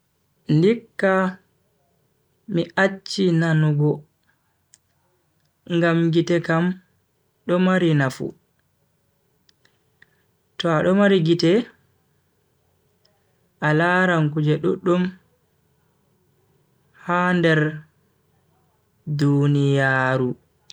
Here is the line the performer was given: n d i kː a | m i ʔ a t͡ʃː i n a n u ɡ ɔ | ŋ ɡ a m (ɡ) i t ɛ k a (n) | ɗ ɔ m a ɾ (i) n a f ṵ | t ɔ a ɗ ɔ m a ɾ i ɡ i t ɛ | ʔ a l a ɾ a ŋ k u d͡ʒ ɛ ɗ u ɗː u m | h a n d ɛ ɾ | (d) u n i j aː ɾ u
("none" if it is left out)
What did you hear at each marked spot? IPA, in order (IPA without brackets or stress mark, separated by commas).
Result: ɡ, m, i, d